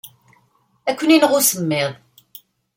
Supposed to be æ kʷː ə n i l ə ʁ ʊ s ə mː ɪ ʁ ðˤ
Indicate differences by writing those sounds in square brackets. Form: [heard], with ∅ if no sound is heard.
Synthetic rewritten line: æ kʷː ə n i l ə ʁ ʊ s ə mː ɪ [∅] ðˤ